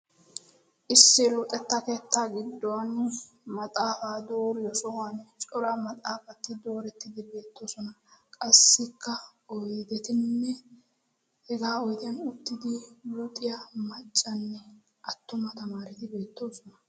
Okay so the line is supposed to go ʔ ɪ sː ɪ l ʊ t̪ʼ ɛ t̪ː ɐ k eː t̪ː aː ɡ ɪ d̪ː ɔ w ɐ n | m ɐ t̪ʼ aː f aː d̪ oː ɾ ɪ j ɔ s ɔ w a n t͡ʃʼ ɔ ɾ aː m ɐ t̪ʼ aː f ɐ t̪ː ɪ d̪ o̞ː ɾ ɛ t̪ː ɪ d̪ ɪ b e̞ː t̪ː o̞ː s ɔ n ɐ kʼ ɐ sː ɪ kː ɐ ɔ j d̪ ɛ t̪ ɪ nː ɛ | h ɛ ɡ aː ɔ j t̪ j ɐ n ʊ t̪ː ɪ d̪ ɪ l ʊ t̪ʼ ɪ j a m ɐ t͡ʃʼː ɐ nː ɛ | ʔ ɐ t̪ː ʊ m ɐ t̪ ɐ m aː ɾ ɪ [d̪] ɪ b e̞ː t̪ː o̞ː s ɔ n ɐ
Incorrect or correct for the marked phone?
incorrect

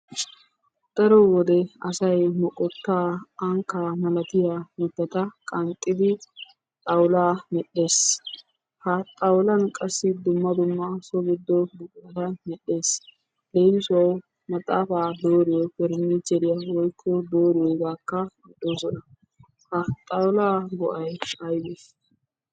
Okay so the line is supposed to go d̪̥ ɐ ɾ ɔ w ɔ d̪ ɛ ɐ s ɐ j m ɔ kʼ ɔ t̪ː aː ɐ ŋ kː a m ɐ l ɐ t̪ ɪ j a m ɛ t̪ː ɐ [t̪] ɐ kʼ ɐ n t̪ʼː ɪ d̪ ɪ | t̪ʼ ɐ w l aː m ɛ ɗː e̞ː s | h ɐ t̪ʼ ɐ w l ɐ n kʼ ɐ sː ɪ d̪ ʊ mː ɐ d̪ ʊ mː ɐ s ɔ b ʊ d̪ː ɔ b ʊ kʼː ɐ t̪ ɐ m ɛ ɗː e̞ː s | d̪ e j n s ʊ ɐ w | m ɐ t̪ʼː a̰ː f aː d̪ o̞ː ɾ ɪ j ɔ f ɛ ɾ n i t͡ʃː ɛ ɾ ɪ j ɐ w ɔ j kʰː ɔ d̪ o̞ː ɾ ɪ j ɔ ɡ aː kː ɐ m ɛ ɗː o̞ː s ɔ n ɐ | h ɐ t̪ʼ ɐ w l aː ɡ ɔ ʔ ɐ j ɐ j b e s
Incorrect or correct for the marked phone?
correct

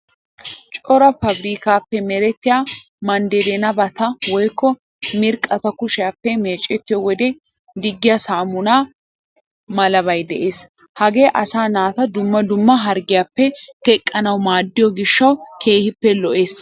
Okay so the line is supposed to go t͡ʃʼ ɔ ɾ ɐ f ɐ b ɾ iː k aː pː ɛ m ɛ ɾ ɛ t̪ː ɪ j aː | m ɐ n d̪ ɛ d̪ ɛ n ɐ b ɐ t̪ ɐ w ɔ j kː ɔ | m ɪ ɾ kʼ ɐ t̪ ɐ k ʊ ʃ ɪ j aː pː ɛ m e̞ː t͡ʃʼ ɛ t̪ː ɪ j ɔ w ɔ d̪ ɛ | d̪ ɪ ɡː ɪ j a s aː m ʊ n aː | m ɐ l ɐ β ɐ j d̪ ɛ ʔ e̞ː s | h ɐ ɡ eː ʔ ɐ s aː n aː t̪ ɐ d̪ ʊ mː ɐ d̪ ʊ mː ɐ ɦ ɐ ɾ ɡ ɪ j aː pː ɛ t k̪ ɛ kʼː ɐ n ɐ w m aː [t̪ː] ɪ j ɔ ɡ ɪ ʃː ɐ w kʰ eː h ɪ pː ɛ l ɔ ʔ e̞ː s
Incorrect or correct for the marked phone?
incorrect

